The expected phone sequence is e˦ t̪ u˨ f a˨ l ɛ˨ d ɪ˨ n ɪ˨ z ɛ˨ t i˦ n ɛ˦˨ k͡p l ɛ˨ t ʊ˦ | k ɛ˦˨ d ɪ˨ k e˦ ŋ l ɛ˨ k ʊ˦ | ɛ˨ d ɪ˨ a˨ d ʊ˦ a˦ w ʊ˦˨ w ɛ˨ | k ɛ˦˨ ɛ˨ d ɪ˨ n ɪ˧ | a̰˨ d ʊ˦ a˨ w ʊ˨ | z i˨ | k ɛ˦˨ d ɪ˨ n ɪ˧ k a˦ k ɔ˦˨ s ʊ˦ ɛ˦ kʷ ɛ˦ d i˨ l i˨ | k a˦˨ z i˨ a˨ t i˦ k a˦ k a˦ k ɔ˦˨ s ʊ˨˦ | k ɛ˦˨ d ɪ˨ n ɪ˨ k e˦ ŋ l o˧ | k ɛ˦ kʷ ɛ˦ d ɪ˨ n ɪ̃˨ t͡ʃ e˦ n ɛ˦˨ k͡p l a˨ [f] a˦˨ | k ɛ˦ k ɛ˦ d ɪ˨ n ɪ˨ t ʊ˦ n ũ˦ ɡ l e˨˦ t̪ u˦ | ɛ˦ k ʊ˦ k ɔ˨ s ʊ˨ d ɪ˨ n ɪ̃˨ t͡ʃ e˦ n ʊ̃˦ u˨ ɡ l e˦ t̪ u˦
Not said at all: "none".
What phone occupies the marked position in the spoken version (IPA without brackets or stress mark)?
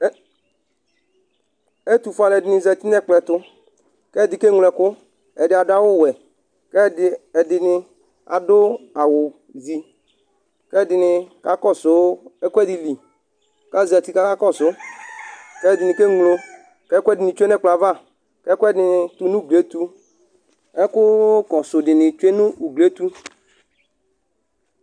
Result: v